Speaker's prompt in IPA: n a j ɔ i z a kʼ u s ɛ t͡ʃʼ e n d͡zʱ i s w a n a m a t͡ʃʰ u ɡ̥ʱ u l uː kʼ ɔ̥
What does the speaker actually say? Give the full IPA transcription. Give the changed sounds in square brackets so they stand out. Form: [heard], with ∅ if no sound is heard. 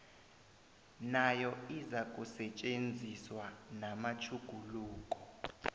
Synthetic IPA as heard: n a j ɔ i z a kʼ u s ɛ t͡ʃʼ e n d͡zʱ i s w a n a m a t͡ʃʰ u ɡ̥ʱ u l uː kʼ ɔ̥